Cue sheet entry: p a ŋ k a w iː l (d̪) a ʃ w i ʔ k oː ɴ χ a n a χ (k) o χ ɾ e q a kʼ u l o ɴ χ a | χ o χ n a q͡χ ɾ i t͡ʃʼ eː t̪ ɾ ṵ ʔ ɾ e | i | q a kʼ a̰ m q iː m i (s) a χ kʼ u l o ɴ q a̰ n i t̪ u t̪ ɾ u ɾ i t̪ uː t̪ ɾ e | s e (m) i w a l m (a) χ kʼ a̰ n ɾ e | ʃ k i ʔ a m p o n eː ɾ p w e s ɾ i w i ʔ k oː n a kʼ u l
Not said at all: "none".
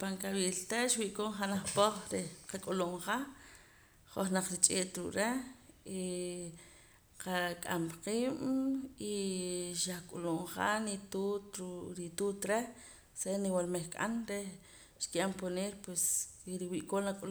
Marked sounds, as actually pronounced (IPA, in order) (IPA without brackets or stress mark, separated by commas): t̪, p, ʃ, n, e